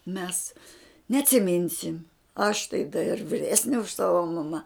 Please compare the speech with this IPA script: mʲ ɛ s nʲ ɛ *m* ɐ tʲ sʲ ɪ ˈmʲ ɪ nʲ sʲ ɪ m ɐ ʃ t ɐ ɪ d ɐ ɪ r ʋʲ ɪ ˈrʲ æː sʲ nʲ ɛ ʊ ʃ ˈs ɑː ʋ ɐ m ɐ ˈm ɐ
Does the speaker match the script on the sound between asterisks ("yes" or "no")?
no